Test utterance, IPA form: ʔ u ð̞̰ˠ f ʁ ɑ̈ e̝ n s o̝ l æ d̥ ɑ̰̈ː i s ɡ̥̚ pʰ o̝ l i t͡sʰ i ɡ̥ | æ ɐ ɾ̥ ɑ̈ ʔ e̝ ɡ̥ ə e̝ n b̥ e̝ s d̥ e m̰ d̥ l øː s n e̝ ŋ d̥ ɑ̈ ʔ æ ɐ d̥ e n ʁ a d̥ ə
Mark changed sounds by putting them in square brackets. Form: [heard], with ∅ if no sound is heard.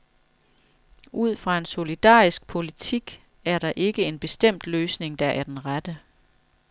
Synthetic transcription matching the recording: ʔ u ð̞̰ˠ f ʁ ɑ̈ e̝ n s o̝ l [i] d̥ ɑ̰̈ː i s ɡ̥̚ pʰ o̝ l i t͡sʰ i ɡ̥ | æ ɐ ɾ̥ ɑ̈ ʔ e̝ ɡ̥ ə e̝ n b̥ e̝ s d̥ e m̰ d̥ l øː s n e̝ ŋ d̥ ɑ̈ ʔ æ ɐ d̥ e n ʁ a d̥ ə